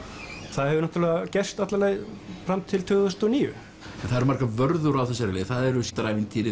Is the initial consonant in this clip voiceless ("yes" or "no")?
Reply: yes